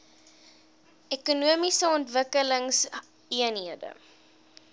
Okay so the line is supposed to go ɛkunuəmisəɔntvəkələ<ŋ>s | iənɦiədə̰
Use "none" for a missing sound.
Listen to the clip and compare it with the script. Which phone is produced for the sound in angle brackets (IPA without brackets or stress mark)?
ŋ